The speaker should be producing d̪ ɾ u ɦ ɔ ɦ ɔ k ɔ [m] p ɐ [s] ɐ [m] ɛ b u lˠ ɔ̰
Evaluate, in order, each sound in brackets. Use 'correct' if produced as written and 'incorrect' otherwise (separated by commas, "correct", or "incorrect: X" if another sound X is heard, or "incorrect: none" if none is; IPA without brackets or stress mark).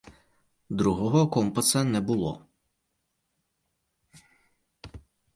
correct, correct, incorrect: n